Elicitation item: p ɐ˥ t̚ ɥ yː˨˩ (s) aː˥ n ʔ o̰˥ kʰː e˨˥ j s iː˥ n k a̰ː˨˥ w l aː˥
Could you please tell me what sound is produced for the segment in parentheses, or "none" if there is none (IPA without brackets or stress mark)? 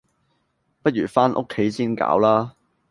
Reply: f